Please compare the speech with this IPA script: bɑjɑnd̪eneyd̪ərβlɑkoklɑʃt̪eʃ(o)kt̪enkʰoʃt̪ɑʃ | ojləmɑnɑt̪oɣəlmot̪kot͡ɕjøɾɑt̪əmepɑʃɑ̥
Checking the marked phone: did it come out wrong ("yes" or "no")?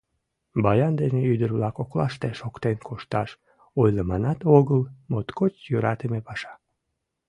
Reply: no